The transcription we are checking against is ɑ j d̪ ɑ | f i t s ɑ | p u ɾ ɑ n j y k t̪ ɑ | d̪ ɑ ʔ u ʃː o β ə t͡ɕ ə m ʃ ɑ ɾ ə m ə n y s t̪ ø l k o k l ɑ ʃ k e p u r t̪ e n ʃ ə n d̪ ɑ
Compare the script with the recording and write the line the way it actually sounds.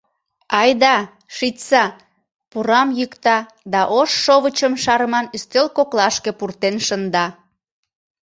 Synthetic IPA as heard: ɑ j d̪ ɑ | ʃ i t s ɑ | p u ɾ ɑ m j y k t̪ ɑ | d̪ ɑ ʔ o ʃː o β ə t͡ɕ ə m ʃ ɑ ɾ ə m ɑ n y s t̪ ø l k o k l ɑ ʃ k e p u r t̪ e n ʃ ə n d̪ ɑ